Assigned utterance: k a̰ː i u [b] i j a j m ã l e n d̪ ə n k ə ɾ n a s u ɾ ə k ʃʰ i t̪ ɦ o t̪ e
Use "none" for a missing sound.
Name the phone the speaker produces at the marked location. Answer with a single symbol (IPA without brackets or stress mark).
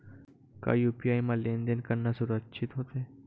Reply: p